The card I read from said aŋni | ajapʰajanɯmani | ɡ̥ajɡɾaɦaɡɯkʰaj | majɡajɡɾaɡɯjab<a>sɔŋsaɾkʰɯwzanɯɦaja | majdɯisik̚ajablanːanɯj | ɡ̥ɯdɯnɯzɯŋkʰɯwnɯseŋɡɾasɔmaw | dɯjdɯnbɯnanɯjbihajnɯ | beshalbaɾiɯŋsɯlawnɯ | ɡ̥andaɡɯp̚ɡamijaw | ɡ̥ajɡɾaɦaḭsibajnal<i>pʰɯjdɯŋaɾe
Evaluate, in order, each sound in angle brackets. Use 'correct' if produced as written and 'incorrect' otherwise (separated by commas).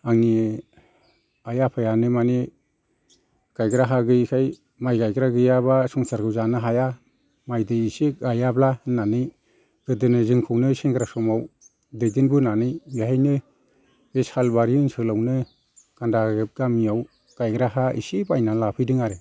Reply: correct, incorrect